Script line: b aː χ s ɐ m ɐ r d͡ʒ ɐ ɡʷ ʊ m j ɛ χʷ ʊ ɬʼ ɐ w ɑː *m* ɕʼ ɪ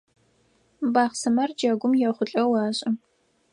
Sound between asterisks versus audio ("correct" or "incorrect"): incorrect